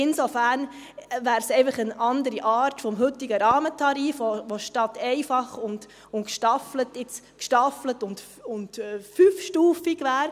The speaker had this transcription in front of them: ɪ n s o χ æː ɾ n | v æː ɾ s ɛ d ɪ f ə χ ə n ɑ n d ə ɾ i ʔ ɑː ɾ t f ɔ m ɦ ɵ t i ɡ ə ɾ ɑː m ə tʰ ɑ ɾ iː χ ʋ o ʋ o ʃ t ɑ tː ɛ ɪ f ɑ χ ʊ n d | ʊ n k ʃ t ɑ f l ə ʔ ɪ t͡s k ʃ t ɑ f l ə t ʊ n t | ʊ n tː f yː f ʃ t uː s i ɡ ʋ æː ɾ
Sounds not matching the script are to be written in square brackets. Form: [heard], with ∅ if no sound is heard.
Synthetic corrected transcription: ɪ n s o [f] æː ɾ n | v æː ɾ s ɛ [∅] ɪ f ə χ ə n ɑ n d ə ɾ i ʔ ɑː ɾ t f ɔ m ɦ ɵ t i ɡ ə ɾ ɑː m ə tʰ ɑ ɾ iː [f] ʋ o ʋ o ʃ t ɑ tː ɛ ɪ f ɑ χ ʊ n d | ʊ n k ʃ t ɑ f l ə [t] ɪ t͡s k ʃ t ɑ f l ə t ʊ n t | ʊ n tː f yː f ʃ t uː [f] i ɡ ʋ æː ɾ

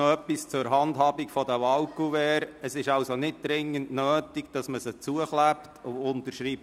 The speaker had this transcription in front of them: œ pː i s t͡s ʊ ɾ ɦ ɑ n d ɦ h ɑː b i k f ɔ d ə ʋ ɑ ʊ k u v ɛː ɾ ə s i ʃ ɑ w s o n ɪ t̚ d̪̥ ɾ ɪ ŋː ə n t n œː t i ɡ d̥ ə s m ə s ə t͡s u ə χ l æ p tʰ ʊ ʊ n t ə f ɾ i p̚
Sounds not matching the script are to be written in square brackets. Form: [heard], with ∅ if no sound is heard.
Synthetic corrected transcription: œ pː i s t͡s ʊ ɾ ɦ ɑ n d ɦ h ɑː b i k f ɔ d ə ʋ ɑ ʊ k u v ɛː ɾ ə s [ɪ] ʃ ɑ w s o n ɪ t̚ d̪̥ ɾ ɪ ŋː ə n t n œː t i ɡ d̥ [ɑ] s m ə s ə t͡s u ə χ l æ p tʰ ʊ ʊ n t ə [ʃ] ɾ i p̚

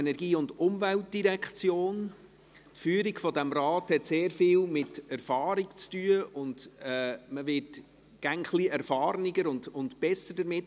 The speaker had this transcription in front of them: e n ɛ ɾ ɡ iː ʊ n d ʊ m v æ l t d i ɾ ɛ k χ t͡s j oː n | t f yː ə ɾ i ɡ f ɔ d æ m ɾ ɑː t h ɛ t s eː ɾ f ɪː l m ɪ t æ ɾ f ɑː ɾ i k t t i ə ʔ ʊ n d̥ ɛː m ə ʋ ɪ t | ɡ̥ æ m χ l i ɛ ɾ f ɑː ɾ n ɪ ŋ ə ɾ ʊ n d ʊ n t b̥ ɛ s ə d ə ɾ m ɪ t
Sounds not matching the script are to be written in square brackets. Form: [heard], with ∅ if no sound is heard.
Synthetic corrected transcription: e n ɛ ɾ ɡ iː ʊ n d ʊ m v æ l t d i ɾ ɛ k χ t͡s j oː n | t f yː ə ɾ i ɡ f ɔ d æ m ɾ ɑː t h ɛ t s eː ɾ f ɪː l m ɪ t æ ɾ f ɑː ɾ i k [t͡s] t [y] ə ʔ ʊ n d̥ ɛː m ə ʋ ɪ t | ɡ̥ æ [ŋ] χ l i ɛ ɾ f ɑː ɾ n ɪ [ɡ] ə ɾ ʊ n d ʊ n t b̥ ɛ s ə d ə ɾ m ɪ t

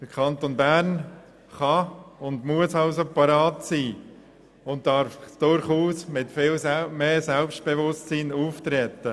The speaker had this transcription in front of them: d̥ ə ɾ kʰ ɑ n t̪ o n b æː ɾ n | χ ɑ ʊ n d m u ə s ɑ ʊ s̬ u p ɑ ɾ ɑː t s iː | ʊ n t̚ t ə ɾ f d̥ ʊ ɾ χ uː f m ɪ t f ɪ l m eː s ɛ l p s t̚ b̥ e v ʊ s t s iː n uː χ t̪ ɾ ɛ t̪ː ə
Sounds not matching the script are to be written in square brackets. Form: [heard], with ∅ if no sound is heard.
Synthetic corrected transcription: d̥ ə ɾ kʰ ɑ n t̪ o n b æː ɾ n | χ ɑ ʊ n d m u ə s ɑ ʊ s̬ [o] p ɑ ɾ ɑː t s iː | ʊ n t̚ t [ɑ] ɾ f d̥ ʊ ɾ χ uː [s] m ɪ t f ɪ l m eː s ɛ l p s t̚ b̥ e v ʊ s t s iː n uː [f] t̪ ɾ ɛ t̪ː ə

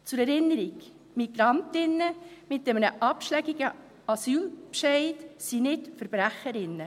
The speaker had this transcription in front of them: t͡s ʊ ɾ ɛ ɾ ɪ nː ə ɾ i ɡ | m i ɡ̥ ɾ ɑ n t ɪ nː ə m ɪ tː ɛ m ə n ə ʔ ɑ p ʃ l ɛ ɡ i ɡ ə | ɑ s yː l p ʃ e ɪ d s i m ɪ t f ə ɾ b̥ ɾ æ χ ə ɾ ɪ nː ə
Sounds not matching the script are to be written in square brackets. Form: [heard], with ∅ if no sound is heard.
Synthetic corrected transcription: t͡s ʊ ɾ ɛ ɾ ɪ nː ə ɾ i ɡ | m i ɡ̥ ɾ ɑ n t ɪ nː ə m ɪ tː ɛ m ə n ə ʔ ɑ p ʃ l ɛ ɡ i ɡ ə | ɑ s yː l p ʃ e ɪ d s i [n] ɪ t f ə ɾ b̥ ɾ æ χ ə ɾ ɪ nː ə

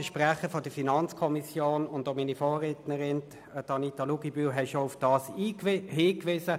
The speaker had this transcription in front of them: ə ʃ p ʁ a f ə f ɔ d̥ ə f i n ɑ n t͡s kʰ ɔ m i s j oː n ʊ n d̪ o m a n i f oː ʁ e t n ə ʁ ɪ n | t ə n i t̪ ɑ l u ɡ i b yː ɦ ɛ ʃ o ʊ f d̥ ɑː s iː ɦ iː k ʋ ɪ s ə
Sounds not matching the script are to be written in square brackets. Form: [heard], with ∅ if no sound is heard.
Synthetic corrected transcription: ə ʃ p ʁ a [χ] ə f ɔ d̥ ə f i n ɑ n t͡s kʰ ɔ m i s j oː n ʊ n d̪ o m [i] n i f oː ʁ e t n ə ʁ ɪ n | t [ɑ] n i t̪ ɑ l u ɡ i b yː ɦ ɛ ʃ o ʊ f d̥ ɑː s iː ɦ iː k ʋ ɪ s ə

